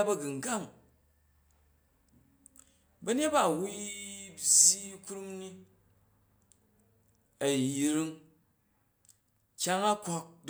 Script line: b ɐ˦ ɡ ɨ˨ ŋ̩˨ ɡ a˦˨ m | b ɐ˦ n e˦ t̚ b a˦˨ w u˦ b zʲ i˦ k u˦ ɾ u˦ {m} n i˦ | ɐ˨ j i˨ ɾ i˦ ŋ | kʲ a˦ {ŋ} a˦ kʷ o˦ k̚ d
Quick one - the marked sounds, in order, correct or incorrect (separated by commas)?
correct, correct